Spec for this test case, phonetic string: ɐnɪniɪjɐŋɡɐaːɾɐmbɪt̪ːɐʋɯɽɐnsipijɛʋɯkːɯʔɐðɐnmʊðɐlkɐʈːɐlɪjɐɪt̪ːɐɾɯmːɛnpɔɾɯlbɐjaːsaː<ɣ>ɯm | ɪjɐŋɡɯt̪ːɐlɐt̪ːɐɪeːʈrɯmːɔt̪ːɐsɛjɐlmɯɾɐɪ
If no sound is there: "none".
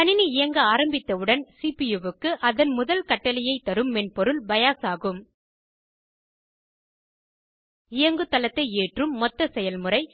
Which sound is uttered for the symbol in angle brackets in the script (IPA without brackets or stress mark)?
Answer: ɣ